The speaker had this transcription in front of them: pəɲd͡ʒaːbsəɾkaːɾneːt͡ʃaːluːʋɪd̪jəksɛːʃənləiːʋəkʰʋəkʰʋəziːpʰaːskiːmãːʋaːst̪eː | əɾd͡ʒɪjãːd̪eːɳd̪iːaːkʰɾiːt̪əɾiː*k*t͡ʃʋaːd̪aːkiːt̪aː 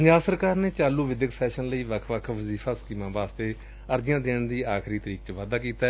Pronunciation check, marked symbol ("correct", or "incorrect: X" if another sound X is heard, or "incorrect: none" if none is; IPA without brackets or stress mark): correct